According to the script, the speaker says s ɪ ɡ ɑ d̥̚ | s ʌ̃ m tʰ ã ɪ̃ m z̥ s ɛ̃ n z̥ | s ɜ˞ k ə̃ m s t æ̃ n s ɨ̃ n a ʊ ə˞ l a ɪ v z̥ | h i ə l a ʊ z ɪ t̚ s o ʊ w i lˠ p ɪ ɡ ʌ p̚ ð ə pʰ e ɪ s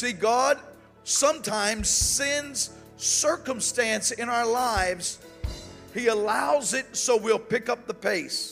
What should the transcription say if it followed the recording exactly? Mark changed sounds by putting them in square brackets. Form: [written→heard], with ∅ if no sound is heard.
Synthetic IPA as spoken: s [ɪ→i] ɡ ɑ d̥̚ | s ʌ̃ m tʰ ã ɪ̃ m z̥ s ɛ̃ n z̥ | s ɜ˞ k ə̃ m s t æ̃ n s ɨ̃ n a ʊ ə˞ l a ɪ v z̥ | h i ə l a ʊ z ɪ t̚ s o ʊ w i lˠ p ɪ [ɡ→k] ʌ p̚ ð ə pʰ e ɪ s